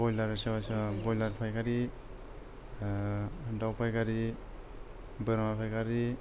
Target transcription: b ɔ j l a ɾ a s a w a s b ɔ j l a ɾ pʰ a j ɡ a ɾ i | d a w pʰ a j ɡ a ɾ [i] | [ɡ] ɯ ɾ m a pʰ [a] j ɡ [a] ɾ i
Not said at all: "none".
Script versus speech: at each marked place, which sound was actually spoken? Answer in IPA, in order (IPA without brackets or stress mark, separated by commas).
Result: i, b, a, a